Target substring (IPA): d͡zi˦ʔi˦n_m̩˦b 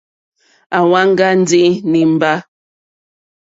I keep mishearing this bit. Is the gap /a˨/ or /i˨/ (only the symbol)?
i˨